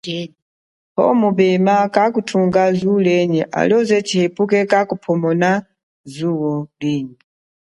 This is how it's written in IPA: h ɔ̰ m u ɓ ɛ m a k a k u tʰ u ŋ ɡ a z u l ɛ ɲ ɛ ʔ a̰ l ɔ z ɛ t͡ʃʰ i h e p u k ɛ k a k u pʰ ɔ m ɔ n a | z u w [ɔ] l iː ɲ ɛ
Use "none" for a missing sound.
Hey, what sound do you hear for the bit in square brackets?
ɔ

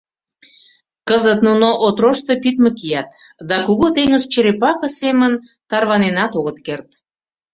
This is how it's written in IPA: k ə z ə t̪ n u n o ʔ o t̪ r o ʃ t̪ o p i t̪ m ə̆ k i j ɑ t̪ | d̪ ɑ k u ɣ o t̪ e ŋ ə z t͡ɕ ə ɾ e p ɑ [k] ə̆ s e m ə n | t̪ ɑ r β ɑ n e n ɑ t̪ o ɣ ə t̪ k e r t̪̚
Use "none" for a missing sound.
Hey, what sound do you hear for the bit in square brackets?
k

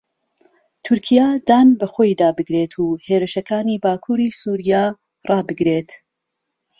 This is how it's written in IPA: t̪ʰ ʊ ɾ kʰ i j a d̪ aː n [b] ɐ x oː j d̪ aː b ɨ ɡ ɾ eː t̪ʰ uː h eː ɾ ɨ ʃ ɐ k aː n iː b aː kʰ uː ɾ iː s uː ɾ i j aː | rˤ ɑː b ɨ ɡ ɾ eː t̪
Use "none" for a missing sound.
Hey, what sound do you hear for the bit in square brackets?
b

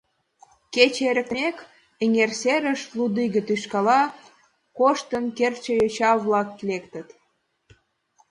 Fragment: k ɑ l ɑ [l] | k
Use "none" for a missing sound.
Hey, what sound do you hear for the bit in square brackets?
none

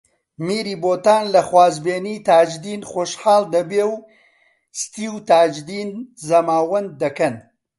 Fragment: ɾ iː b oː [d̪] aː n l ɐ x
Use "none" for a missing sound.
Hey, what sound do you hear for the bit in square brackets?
t̪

